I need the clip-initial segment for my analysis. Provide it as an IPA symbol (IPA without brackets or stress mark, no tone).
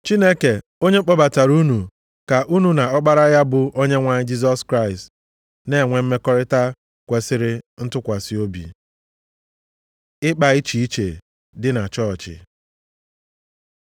t͡ʃ